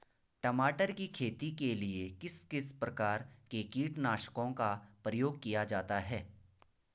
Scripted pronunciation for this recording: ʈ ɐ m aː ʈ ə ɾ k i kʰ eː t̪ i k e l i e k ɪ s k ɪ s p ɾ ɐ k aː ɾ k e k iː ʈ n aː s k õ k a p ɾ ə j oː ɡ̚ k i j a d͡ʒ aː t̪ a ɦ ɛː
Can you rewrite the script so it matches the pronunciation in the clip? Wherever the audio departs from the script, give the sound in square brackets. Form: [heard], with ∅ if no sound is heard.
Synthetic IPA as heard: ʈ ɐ m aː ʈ ə ɾ k i kʰ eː t̪ i k e l i e k ɪ s k ɪ s p ɾ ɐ k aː ɾ k e k iː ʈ n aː [ʃ] k õ k a p ɾ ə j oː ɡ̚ k i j a d͡ʒ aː t̪ a ɦ ɛː

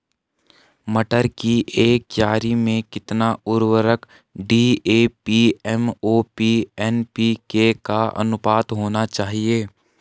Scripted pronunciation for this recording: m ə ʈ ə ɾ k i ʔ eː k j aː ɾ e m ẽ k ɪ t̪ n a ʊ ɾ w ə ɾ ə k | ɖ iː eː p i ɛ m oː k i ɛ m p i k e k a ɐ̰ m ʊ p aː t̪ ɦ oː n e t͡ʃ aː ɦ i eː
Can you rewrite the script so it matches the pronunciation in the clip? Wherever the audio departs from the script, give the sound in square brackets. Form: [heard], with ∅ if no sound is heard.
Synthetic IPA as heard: m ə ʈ ə ɾ k i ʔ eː k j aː ɾ [i] m ẽ k ɪ t̪ n a ʊ ɾ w ə ɾ ə k | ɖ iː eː p i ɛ m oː [p] i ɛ [n] p i k e k a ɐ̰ [n] ʊ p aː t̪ ɦ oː n [a] t͡ʃ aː ɦ i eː

